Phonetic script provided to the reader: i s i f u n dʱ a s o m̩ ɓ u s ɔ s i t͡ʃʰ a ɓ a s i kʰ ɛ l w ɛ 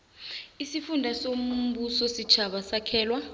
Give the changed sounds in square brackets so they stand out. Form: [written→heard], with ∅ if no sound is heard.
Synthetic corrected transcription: i s i f u n dʱ a s o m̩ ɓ u s ɔ s i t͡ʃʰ a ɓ a s [i→a] kʰ [ɛ→ɛː] l w [ɛ→a]